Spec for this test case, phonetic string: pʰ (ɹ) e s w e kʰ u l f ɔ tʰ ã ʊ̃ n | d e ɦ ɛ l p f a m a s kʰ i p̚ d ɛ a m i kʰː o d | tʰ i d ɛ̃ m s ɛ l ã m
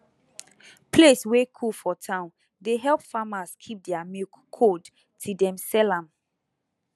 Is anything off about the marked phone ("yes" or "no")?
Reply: yes